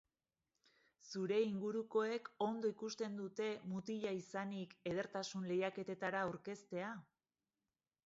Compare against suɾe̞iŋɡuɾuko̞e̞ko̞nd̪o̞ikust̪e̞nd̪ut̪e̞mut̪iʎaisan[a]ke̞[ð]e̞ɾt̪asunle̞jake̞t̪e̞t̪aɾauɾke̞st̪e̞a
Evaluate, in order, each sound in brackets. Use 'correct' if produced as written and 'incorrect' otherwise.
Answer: incorrect, correct

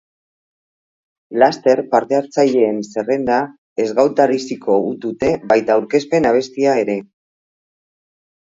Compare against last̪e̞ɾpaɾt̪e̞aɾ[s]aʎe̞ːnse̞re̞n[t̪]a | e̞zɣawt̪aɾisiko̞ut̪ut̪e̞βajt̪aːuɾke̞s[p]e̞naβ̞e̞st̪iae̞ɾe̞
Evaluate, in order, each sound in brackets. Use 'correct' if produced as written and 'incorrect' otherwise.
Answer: incorrect, incorrect, correct

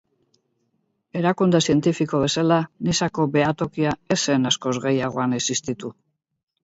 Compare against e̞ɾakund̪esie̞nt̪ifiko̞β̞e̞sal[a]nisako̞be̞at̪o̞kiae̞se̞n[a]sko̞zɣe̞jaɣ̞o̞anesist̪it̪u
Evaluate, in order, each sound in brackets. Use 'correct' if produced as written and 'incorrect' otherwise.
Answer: correct, correct

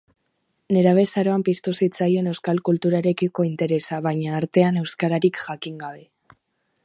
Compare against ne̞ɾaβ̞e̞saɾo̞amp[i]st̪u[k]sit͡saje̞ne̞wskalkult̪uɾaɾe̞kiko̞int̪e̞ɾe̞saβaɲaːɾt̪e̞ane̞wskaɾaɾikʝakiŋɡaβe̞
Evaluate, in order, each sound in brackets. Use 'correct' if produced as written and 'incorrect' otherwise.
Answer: correct, incorrect

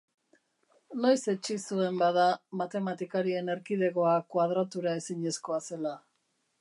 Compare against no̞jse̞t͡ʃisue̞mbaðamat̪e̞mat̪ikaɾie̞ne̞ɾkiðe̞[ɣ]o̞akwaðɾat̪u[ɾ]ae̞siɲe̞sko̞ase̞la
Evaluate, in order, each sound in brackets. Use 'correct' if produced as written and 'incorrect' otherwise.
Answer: correct, correct

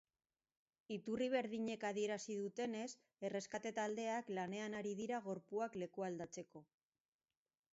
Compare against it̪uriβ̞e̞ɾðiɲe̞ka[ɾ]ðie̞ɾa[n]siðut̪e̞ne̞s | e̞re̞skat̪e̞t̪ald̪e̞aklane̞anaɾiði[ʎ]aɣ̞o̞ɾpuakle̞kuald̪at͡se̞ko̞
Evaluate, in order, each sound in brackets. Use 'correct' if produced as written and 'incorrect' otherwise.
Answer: incorrect, incorrect, incorrect

